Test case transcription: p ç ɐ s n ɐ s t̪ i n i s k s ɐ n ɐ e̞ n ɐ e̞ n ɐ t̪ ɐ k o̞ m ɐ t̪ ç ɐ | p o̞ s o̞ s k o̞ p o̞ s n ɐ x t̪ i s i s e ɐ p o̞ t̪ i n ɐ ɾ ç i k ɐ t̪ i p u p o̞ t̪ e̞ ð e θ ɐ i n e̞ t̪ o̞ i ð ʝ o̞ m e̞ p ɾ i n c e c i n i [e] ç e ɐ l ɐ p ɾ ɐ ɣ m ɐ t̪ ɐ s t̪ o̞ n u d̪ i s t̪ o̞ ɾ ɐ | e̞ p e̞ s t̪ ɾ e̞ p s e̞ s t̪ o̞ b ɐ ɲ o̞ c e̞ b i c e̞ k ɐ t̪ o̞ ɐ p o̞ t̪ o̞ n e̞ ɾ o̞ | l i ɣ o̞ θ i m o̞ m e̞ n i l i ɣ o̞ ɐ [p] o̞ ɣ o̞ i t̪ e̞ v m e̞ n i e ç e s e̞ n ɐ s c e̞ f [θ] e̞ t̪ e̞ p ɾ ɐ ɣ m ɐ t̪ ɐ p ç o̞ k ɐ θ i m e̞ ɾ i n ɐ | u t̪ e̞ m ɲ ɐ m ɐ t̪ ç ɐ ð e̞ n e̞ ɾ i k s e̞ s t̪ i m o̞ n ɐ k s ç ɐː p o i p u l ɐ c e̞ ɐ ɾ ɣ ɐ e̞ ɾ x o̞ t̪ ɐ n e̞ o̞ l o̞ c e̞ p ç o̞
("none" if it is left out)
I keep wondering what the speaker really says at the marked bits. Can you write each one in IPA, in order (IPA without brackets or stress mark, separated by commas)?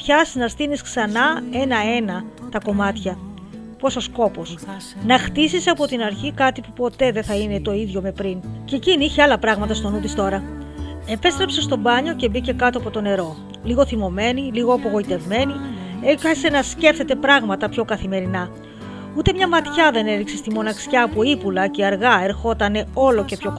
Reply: i, p, θ